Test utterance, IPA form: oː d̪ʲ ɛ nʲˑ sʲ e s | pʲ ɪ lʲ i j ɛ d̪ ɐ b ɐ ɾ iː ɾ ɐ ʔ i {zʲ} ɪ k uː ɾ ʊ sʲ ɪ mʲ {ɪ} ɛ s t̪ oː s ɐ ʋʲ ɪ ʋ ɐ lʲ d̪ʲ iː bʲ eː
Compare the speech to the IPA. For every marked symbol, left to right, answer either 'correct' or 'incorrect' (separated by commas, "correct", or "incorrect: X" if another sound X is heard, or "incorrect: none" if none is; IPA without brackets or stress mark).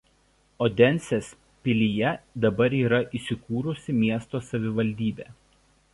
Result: incorrect: sʲ, incorrect: i